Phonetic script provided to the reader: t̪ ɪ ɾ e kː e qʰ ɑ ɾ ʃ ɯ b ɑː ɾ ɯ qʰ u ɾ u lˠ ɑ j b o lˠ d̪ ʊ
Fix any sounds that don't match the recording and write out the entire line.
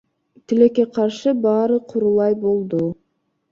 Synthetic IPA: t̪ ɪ l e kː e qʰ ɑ ɾ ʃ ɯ b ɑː ɾ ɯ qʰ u ɾ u lˠ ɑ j b o lˠ d̪ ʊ